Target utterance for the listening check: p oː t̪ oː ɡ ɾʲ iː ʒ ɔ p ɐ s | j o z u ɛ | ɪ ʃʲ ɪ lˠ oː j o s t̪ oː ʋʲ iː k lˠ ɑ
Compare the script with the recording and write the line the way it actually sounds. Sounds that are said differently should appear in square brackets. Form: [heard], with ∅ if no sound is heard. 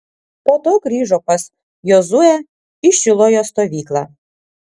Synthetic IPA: p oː t̪ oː ɡ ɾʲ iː ʒ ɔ p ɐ s | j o z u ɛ | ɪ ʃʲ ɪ lˠ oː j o s t̪ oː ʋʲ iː k lˠ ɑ